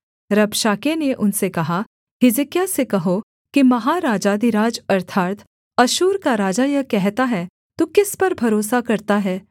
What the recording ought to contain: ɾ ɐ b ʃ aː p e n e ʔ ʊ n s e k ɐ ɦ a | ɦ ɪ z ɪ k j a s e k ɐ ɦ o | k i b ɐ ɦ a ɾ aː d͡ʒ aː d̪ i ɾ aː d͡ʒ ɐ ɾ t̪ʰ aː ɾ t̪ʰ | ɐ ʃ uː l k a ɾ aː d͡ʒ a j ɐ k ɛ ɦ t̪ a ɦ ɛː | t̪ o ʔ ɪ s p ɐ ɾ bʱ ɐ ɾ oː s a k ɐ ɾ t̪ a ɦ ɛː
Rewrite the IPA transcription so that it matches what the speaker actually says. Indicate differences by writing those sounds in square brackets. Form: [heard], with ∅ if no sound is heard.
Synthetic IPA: ɾ ɐ b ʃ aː [k] e n e ʔ ʊ n s e k ɐ ɦ a | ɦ ɪ z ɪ k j a s e k ɐ ɦ o | k i [m] ɐ ɦ a ɾ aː d͡ʒ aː d̪ i ɾ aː d͡ʒ ɐ ɾ t̪ʰ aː ɾ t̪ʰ | ɐ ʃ uː [ɾ] k a ɾ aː d͡ʒ a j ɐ k ɛ ɦ t̪ a ɦ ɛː | t̪ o [k] ɪ s p ɐ ɾ bʱ ɐ ɾ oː s a k ɐ ɾ t̪ a ɦ ɛː